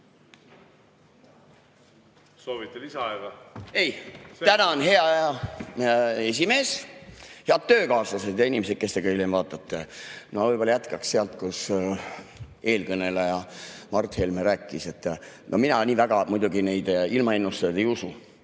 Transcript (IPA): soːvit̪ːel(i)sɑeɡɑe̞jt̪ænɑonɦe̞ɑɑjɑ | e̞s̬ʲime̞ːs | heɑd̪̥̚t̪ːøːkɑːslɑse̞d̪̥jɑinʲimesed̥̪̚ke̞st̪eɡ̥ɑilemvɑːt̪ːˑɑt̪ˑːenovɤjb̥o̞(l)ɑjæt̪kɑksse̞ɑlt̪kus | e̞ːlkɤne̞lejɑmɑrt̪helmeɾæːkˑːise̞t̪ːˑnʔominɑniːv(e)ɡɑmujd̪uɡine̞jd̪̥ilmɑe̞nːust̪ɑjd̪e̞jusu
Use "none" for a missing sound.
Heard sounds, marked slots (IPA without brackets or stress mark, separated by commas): i, l, æ